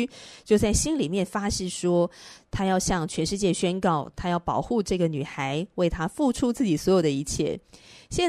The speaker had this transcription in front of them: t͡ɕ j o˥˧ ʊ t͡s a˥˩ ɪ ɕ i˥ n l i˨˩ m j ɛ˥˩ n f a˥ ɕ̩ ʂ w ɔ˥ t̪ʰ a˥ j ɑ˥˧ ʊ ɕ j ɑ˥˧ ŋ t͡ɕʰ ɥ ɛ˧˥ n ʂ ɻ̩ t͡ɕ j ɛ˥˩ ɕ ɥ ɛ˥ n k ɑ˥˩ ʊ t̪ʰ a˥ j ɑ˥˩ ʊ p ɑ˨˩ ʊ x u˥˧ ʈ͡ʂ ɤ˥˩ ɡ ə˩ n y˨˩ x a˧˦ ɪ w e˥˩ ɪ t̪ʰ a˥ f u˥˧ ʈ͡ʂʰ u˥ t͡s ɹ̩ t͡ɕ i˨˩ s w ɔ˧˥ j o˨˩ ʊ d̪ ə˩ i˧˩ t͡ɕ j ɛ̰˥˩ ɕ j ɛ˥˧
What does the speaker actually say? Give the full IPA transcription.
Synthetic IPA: t͡ɕ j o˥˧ ʊ t͡s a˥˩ ɪ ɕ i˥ n l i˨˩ m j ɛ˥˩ n f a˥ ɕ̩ ʂ w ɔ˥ t̪ʰ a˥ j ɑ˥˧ ʊ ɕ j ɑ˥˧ ŋ t͡ɕʰ ɥ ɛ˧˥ n ʂ ɻ̩ t͡ɕ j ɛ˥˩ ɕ ɥ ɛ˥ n k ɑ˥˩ ʊ t̪ʰ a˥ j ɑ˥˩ ʊ p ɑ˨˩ ʊ x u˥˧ ʈ͡ʂ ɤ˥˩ ɡ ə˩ n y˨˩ x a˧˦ ɪ w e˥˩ ɪ t̪ʰ a˥ f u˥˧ ʈ͡ʂʰ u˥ t͡s ɹ̩ t͡ɕ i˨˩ s w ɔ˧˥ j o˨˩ ʊ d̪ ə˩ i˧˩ t͡ɕʰ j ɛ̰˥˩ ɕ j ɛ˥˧